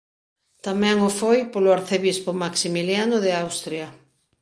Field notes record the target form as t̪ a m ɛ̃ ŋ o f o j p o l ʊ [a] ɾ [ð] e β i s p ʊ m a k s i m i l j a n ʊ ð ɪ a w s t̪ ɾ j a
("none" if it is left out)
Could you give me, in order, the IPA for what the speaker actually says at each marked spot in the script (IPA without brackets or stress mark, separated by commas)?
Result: a, θ